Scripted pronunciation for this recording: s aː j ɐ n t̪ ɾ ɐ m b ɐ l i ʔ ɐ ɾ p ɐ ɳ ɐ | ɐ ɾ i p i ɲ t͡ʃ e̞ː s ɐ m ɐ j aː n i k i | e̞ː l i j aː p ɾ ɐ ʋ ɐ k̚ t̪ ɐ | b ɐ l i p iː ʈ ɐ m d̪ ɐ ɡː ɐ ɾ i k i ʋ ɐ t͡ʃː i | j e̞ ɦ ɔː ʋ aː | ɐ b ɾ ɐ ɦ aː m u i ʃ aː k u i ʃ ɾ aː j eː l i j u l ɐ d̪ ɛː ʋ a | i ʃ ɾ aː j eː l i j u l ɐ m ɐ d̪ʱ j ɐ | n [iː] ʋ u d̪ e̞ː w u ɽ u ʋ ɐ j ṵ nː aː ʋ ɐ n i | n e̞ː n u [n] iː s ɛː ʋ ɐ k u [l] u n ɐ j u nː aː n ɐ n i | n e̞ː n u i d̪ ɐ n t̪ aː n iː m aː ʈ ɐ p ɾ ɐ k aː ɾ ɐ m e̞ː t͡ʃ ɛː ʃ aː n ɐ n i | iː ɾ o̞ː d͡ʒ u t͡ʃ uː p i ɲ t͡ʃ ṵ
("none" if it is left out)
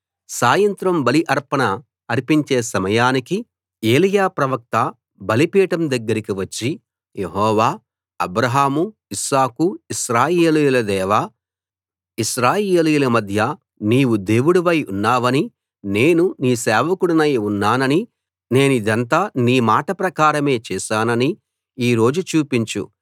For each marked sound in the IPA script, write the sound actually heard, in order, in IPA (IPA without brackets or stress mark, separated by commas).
iː, n, ɽ